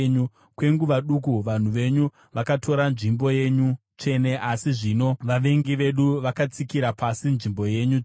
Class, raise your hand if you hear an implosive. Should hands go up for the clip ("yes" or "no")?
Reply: yes